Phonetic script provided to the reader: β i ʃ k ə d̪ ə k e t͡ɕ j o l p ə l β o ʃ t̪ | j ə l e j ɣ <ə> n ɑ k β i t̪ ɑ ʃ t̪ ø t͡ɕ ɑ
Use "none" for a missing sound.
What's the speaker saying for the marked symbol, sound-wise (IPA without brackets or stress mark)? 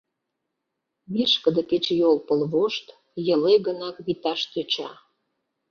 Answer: ə